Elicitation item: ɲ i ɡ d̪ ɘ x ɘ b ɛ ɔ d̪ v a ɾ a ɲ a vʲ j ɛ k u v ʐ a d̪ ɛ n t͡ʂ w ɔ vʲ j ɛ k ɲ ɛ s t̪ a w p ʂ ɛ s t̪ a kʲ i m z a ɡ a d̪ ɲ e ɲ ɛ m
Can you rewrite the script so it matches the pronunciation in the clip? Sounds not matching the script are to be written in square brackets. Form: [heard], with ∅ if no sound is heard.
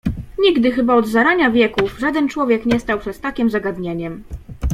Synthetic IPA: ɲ i ɡ d̪ ɘ x ɘ b [a] ɔ d̪ [z] a ɾ a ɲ a vʲ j ɛ k u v ʐ a d̪ ɛ n t͡ʂ w ɔ vʲ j ɛ k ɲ ɛ s t̪ a w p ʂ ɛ s t̪ a kʲ i m z a ɡ a d̪ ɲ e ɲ ɛ m